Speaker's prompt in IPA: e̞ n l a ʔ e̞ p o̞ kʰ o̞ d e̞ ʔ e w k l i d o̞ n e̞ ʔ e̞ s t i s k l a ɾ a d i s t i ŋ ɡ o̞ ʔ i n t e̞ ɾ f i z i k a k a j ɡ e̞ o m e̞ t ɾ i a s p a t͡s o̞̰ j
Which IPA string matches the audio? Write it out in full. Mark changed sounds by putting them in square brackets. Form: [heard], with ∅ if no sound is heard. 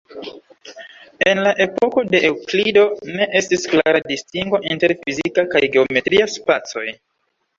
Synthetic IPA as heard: e̞ n l a ʔ e̞ p o̞ [k] o̞ d e̞ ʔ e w k l i d o̞ n e̞ ʔ e̞ s t i s k l a ɾ a d i s t i ŋ ɡ o̞ ʔ i n t e̞ ɾ f i z i k a k a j ɡ e̞ o m e̞ t ɾ i a s p a t͡s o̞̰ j